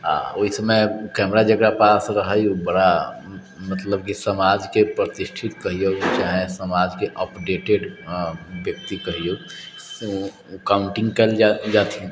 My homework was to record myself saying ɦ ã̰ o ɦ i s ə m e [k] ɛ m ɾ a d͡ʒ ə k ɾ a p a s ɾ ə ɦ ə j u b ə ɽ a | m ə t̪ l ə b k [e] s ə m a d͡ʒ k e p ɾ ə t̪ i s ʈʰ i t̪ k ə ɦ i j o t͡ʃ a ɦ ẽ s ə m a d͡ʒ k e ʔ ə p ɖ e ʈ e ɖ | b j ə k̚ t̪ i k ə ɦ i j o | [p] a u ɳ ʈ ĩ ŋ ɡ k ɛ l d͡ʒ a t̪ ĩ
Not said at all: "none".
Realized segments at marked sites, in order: k, i, k

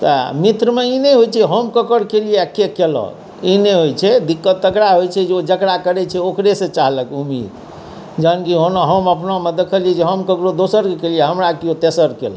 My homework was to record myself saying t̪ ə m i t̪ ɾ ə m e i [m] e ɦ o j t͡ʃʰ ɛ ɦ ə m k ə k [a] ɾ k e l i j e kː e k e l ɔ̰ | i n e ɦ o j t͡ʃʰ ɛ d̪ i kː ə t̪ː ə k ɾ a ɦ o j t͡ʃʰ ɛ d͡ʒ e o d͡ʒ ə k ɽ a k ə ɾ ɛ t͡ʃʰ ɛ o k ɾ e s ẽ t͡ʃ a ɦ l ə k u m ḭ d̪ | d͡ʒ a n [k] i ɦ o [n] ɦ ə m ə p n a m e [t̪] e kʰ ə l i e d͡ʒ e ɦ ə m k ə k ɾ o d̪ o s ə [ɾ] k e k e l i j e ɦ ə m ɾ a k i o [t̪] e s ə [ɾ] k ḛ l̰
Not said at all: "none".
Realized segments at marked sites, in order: n, ə, k, n, d̪, ɾ, t̪, ɾ

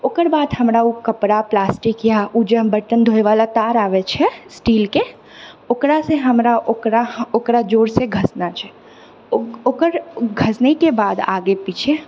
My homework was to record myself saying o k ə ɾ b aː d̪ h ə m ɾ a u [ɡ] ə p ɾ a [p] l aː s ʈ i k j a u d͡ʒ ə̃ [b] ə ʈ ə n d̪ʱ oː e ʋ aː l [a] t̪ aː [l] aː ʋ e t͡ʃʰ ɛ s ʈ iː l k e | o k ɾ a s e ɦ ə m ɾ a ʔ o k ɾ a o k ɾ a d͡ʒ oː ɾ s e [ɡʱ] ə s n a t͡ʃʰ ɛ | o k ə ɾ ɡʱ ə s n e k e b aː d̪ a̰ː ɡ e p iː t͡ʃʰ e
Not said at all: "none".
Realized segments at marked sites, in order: k, p, b, a, ɾ, ɡʱ

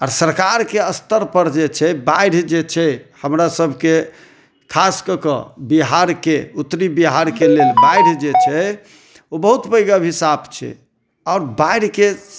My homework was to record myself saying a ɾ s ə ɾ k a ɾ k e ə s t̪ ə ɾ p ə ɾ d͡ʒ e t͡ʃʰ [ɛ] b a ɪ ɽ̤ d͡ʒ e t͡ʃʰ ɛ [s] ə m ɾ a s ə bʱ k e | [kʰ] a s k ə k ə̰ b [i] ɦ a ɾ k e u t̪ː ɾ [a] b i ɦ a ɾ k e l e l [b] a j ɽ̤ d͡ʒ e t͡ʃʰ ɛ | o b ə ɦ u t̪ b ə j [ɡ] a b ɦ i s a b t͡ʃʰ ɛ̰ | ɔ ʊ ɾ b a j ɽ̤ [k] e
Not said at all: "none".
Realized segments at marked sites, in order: ɛ, h, kʰ, i, i, b, ɡ, k

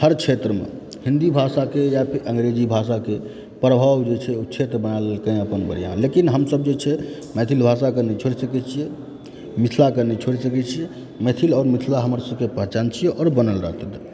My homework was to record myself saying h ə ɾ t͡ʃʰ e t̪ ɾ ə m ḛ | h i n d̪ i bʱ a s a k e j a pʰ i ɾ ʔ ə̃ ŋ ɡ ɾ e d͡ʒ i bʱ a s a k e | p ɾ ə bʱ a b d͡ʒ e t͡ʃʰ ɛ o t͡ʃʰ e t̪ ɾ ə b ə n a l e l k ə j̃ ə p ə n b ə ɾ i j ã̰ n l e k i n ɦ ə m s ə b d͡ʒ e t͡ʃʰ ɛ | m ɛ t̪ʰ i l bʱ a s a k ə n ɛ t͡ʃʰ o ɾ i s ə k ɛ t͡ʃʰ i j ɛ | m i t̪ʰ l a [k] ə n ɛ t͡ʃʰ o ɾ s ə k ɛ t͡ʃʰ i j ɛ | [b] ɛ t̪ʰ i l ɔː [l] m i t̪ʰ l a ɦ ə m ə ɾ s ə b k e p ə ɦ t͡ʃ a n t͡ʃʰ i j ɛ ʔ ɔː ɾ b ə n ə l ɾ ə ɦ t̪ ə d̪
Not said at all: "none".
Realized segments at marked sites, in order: k, m, ɾ

